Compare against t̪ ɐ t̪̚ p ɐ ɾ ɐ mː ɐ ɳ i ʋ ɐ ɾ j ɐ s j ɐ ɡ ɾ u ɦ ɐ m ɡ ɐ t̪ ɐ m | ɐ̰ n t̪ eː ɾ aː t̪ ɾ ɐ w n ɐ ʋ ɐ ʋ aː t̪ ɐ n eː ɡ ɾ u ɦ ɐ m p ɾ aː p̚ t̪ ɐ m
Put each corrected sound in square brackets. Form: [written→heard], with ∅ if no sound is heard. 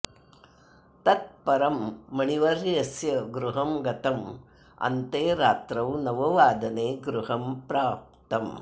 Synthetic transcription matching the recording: t̪ ɐ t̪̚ p ɐ ɾ ɐ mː ɐ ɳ i ʋ ɐ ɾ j ɐ s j ɐ ɡ ɾ u ɦ ɐ m ɡ ɐ t̪ ɐ m | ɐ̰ n t̪ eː ɾ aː t̪ ɾ ɐ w n ɐ ʋ ɐ ʋ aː [t̪→d̪] ɐ n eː ɡ ɾ u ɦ ɐ m p ɾ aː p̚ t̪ ɐ m